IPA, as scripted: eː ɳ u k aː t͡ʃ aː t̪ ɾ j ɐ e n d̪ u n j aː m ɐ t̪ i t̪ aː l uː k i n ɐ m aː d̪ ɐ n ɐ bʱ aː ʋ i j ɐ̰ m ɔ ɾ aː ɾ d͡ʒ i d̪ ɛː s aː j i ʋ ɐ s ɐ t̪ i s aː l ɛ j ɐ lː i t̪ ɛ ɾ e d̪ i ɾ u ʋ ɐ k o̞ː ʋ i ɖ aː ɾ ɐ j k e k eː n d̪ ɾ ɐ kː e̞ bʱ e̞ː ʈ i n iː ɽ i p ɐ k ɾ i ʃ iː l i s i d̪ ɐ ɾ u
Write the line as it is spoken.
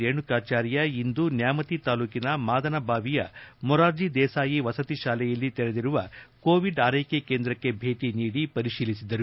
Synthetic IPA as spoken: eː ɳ u k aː t͡ʃ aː ɾ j ɐ i n d̪ u n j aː m ɐ t̪ i t̪ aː l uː k i n ɐ m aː d̪ ɐ n ɐ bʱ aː ʋ i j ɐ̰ m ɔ ɾ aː ɾ d͡ʒ i d̪ ɛː s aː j i ʋ ɐ s ɐ t̪ i ʃ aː l ɛ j ɐ lː i t̪ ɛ ɾ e d̪ i ɾ u ʋ ɐ k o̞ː ʋ i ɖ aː ɾ ɐ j k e k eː n d̪ ɾ ɐ kː e̞ bʱ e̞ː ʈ i n iː ɽ i p ɐ ɾ i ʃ iː l i s i d̪ ɐ ɾ u